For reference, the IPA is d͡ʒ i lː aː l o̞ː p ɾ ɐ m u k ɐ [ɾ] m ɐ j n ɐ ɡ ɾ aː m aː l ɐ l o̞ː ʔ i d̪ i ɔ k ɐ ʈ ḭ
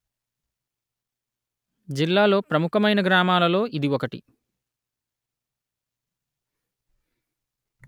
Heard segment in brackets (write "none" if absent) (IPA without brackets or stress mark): none